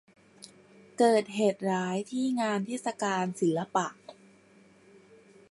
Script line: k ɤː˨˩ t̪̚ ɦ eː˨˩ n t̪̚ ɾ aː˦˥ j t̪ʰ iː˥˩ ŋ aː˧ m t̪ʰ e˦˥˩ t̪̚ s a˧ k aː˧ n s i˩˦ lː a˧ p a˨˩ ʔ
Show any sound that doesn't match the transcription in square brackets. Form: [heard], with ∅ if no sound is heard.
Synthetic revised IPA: k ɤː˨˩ t̪̚ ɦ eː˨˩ [∅] t̪̚ ɾ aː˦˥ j t̪ʰ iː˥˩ ŋ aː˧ [n] t̪ʰ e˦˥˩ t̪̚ s a˧ k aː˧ n s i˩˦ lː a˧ p a˨˩ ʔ